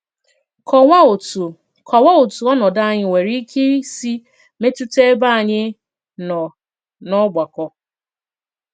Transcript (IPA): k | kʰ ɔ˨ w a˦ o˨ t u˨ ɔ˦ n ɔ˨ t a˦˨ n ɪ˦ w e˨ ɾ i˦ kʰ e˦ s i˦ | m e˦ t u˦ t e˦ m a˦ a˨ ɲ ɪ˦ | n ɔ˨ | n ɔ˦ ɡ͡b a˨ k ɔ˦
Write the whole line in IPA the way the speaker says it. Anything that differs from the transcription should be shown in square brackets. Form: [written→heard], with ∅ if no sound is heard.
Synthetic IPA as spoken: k | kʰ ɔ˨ w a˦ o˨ t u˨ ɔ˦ n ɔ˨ [t→d] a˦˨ [n→ɲ] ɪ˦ w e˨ ɾ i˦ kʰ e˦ s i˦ | m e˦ t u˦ t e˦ [m→b] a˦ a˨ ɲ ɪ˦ | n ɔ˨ | n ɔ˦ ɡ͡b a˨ k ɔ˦